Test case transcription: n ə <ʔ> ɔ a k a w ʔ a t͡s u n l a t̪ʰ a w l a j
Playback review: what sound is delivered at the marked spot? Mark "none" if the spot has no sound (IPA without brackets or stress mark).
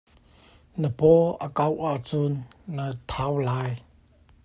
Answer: p